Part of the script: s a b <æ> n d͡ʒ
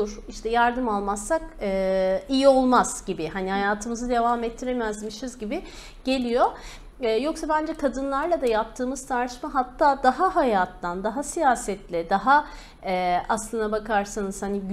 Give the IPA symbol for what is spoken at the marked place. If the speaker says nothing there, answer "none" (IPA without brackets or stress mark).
æ